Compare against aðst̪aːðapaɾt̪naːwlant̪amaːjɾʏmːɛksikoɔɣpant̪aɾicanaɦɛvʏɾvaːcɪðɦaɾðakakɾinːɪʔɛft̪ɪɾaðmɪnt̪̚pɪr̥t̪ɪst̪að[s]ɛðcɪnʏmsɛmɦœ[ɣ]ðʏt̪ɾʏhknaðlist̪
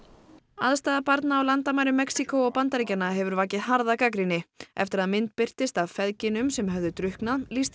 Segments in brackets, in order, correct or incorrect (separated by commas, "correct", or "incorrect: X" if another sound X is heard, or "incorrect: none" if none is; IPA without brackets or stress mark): incorrect: f, incorrect: v